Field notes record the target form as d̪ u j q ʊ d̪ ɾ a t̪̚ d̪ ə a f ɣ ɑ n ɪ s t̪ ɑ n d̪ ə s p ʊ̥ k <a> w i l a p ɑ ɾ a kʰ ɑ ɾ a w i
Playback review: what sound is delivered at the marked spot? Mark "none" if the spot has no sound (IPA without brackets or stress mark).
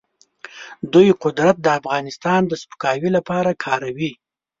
ɑ